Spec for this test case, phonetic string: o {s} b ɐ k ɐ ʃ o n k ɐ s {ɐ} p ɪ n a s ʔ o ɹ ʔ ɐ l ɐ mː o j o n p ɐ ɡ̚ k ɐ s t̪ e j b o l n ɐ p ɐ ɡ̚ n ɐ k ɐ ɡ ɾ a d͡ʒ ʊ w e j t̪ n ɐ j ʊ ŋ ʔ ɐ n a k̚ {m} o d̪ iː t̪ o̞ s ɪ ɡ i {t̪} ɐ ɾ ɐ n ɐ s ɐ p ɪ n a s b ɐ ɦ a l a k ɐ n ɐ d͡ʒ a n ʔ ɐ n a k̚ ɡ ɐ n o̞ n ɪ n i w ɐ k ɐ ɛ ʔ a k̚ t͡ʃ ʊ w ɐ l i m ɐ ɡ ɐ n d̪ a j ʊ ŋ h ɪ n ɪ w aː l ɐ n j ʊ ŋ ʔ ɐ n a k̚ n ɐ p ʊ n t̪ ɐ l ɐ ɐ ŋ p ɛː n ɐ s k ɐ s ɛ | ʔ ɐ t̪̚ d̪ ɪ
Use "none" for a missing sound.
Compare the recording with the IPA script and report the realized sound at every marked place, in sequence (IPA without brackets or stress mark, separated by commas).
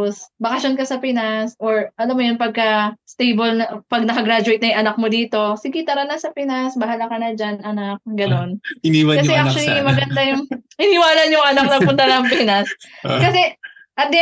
s, ɐ, m, t̪